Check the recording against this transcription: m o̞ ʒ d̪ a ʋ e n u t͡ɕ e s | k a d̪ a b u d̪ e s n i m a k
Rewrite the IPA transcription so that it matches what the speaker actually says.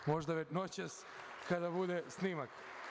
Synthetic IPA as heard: m o̞ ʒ d̪ a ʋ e n o t͡ɕ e s | k a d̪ a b u d̪ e s n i m a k